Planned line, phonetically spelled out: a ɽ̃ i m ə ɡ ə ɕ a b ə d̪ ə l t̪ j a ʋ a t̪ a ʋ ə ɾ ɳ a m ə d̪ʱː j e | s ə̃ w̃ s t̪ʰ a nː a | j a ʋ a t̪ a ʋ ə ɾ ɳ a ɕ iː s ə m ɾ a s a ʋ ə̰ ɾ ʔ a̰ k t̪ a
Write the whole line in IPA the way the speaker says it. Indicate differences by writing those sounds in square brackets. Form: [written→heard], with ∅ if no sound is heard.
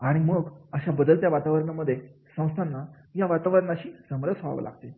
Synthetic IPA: a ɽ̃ i m ə ɡ ə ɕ a b ə d̪ ə l t̪ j a ʋ a t̪ a ʋ ə ɾ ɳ a m ə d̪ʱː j e | s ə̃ w̃ s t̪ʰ a nː a | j a ʋ a t̪ a ʋ ə ɾ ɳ a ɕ iː s ə m ɾ [a→ə] s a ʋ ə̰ [ɾ→l] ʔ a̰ [k→ɡ] t̪ [a→e]